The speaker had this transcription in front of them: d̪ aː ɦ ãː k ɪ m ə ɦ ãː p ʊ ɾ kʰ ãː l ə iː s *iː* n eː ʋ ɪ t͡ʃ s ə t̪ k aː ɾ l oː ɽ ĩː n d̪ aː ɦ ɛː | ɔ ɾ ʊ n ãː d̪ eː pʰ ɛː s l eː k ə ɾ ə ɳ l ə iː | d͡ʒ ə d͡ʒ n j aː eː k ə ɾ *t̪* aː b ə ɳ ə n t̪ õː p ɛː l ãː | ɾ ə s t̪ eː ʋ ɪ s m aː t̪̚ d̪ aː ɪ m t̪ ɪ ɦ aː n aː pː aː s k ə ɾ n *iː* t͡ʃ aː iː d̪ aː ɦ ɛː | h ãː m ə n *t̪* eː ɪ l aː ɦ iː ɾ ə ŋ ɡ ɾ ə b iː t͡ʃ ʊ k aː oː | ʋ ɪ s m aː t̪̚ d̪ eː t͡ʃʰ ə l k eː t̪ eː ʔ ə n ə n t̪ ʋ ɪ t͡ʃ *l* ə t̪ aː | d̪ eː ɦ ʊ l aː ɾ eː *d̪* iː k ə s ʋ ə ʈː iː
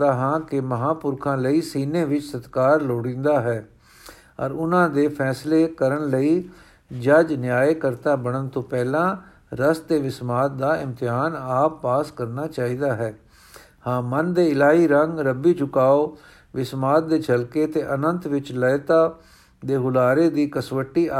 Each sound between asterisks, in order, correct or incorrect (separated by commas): correct, correct, incorrect, incorrect, correct, correct